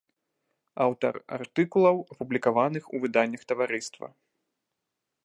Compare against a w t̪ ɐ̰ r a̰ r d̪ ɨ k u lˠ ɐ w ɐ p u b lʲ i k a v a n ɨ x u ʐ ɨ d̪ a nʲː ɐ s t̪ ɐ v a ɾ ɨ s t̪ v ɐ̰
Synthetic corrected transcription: a w t̪ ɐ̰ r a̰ r t̪ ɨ k u lˠ ɐ w ɐ p u b lʲ i k a v a n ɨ x u v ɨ d̪ a nʲː ɐ x t̪ ɐ v a ɾ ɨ s t̪ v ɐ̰